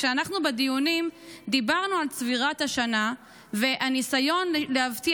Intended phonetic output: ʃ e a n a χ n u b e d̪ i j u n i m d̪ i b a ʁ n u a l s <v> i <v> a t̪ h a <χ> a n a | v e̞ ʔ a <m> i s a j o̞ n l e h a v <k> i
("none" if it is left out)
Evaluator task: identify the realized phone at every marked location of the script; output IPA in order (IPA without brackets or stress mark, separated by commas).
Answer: v, ʁ, ʃ, n, t